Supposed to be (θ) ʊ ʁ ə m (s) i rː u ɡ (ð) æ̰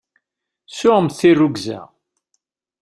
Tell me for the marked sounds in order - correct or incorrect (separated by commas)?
incorrect, incorrect, incorrect